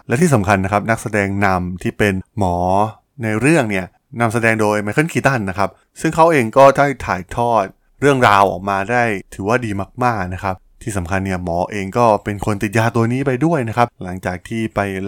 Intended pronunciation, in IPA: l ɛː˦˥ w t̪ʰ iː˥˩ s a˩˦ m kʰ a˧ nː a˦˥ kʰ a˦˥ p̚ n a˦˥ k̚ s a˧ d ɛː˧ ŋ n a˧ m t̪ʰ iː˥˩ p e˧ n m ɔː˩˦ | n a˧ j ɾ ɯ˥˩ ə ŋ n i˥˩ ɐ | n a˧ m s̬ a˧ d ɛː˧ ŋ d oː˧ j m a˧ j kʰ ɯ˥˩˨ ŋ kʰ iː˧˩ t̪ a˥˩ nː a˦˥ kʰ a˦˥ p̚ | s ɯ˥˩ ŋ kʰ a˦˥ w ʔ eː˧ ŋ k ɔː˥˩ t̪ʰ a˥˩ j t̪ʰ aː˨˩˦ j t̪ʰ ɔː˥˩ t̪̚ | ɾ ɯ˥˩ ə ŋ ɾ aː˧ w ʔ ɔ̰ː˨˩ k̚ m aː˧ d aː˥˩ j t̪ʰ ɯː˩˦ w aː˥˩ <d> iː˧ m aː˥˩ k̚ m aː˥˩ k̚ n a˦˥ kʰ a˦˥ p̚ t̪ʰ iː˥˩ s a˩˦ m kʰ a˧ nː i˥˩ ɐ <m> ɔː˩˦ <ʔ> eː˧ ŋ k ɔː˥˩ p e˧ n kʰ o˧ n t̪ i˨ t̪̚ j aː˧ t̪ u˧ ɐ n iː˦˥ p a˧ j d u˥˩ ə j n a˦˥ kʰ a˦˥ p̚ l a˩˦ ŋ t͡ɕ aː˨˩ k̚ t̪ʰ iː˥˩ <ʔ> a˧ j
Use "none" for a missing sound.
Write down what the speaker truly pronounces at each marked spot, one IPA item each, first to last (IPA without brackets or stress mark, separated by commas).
d, m, ʔ, p